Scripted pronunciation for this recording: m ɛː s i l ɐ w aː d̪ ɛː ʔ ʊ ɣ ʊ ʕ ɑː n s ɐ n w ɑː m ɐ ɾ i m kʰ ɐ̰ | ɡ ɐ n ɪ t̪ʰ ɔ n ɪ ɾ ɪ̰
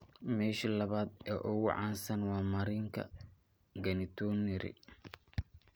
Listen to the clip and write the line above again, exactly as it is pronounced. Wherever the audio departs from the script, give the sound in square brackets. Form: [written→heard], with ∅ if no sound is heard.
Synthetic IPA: m ɛː [s→ʃ] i l ɐ [w→β] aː d̪ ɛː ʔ ʊ ɣ ʊ ʕ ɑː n s ɐ n w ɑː m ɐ ɾ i [m→ŋ] kʰ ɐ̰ | ɡ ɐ n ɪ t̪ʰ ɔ n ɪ ɾ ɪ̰